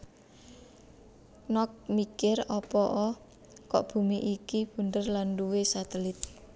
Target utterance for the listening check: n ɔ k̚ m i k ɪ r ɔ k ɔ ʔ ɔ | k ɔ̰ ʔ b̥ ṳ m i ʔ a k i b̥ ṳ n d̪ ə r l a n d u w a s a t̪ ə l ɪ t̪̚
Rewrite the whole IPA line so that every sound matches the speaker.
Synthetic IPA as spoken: n ɔ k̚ m i k ɪ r ɔ p ɔ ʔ ɔ | k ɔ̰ ʔ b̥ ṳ m i ʔ i k i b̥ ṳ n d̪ ə r l a n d u w e s a t̪ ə l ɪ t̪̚